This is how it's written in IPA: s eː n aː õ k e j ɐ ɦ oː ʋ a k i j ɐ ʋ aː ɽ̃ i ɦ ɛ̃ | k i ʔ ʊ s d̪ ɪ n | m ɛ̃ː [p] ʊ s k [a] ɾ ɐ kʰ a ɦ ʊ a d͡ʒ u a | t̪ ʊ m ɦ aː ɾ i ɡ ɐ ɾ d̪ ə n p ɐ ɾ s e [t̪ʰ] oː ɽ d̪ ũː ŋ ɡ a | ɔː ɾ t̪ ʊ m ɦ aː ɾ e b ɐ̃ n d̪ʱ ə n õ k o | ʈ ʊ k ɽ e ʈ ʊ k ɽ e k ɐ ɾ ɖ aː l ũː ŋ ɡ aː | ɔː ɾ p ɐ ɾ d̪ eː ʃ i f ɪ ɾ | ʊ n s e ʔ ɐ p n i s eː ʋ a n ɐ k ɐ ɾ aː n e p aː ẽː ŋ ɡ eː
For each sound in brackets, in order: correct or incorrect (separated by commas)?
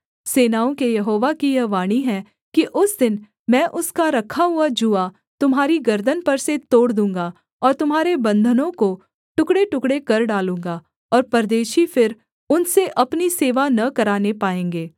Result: incorrect, correct, incorrect